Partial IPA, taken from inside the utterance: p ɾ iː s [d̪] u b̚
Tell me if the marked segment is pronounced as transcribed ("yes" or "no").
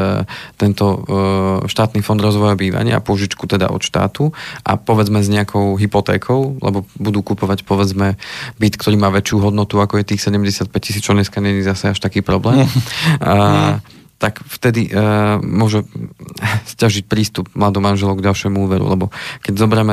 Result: no